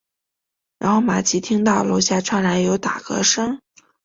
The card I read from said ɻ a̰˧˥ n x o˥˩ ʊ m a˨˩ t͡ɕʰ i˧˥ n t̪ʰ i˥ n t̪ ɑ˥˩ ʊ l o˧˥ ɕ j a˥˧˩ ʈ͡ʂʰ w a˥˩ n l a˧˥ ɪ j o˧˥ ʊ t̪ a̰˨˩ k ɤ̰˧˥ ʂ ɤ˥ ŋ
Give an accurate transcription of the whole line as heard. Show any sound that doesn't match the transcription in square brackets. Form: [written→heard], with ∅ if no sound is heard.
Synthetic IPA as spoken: ɻ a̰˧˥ n x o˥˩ ʊ m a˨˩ t͡ɕʰ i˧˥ [n→∅] t̪ʰ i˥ [n→ŋ] t̪ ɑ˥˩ ʊ l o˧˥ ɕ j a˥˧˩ ʈ͡ʂʰ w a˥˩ n l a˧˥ ɪ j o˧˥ ʊ t̪ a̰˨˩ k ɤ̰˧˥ ʂ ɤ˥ ŋ